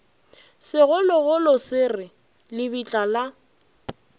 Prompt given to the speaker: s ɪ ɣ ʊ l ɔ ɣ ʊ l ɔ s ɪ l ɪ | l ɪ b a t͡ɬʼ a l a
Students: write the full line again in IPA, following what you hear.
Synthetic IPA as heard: s ɪ ɣ ʊ l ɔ ɣ ʊ l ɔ s ɪ r ɪ | l ɪ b i t͡ɬʼ a l a

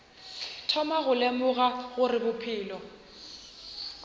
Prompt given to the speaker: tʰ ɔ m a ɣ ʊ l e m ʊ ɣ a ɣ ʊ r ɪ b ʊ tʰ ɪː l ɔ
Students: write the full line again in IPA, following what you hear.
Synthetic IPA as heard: tʰ ɔ m a ɣ ʊ l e m ʊ ɣ a ɣ ʊ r ɪ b ʊ pʰ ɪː l ɔ

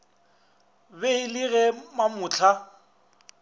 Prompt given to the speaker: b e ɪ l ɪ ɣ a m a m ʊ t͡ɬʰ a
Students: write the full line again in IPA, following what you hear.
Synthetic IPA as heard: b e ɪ l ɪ ɣ ɛ m a m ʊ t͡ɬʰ a

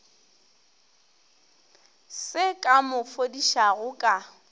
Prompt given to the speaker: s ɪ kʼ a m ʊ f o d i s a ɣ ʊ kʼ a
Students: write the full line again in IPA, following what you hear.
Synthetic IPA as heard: s ɪ kʼ a m ʊ f o d i ʃ a ɣ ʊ kʼ a

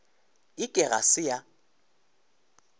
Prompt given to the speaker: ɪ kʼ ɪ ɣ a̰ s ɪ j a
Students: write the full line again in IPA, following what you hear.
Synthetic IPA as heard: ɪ kʼ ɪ ɣ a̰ s ɪ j a

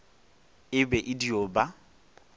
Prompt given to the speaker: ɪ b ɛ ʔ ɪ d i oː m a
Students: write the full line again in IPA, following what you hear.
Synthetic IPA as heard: ɪ b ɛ ʔ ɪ d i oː b a

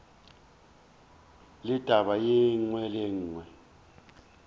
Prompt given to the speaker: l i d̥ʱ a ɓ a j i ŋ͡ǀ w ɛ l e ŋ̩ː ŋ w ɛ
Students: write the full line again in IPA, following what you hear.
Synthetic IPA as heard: l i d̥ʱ a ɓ a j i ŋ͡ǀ w ɛ l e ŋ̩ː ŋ w ɛ

